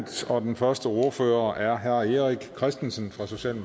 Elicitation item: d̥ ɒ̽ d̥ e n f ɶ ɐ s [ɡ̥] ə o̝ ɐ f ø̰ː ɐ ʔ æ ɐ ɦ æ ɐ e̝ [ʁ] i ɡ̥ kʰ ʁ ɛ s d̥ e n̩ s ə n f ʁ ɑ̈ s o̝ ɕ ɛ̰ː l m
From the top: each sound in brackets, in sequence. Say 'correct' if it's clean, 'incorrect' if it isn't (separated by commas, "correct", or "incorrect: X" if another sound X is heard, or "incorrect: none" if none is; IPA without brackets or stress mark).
incorrect: d̥, correct